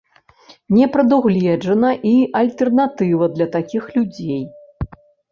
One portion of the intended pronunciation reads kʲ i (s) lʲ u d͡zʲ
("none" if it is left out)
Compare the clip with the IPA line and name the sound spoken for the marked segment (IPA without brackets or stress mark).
x